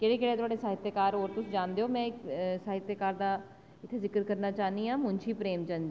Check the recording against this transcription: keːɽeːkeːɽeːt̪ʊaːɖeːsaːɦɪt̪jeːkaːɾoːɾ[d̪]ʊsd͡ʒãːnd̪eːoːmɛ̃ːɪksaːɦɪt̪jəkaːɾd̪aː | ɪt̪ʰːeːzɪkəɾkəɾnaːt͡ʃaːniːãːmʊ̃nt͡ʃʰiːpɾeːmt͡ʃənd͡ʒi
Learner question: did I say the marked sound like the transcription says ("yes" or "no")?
no